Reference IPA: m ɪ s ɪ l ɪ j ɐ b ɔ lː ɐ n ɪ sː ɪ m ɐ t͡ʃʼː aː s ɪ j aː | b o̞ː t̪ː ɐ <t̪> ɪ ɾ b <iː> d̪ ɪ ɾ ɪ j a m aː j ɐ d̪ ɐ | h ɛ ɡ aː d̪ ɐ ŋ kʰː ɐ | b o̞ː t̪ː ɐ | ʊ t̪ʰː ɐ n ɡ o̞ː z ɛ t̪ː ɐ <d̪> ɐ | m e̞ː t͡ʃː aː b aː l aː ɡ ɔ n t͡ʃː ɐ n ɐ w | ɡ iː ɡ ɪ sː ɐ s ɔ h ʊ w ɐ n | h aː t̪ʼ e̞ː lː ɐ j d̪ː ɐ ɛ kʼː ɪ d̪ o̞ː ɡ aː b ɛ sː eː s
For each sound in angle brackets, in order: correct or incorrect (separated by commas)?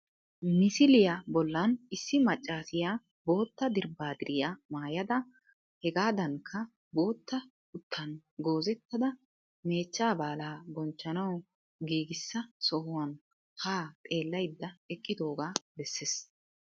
incorrect, incorrect, correct